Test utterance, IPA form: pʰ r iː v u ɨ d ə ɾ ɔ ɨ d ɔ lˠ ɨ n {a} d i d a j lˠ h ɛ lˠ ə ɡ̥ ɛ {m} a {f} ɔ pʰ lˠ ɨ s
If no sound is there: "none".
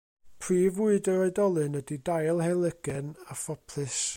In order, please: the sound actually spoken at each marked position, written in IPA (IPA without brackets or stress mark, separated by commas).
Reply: ə, n, f